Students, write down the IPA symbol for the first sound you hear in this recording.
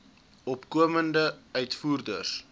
ɔ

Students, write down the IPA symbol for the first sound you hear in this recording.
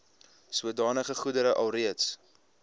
s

